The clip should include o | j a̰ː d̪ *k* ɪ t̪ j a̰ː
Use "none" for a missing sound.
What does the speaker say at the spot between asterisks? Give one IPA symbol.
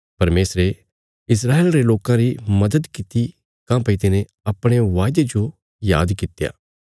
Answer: k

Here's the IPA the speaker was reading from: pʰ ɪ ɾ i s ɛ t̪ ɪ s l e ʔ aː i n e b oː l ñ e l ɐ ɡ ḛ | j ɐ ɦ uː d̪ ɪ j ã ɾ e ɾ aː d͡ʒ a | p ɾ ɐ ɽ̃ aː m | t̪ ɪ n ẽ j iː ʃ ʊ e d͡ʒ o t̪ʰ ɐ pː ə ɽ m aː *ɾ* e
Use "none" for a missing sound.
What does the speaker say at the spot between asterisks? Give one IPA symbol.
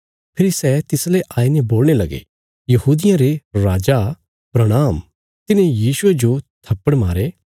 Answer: ɾ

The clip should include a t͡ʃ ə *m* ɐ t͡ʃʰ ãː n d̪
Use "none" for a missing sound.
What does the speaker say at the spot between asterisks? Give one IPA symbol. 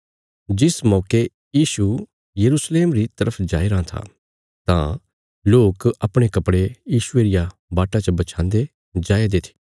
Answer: b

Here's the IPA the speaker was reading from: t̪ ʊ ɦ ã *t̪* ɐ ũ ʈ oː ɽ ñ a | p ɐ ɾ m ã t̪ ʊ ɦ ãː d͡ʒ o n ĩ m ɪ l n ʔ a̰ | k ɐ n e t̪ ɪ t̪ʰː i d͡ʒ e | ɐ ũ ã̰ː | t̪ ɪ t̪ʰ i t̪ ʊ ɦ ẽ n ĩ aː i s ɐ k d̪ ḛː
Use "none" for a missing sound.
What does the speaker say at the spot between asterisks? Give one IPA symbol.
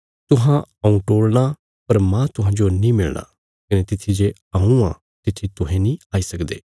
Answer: none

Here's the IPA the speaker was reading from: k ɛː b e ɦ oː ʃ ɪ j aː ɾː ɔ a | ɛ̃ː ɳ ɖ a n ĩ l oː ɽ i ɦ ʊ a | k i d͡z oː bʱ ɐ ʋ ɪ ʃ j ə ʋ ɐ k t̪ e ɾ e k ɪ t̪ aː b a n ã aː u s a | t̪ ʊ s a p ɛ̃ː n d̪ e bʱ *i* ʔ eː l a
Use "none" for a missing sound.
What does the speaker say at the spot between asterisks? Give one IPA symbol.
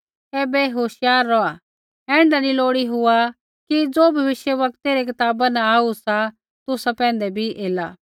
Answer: i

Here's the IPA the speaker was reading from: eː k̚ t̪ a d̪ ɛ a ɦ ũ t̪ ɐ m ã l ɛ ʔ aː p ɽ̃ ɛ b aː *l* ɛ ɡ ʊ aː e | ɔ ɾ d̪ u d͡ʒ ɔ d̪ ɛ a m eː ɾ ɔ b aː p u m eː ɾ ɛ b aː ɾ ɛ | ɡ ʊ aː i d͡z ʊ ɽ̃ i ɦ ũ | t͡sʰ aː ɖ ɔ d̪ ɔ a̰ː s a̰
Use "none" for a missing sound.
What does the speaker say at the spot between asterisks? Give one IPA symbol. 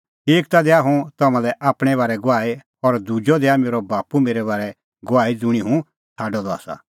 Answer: ɾ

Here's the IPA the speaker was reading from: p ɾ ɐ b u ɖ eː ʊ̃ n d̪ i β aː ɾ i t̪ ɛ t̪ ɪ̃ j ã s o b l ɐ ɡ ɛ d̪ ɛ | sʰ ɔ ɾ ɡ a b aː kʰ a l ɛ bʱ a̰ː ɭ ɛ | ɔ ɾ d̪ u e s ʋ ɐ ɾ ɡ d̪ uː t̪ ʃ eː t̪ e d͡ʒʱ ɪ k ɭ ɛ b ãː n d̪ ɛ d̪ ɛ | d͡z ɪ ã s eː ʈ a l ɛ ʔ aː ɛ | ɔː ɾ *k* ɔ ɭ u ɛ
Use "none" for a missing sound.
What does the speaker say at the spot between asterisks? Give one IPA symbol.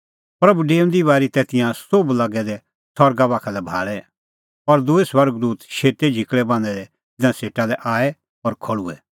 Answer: kʰ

